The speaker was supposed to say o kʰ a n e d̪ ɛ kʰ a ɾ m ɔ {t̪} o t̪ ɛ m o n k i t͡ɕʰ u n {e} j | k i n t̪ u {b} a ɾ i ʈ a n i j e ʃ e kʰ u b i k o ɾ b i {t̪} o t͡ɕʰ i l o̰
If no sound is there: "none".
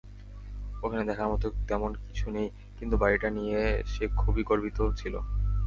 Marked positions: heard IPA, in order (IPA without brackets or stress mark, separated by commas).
t̪, e, b, t̪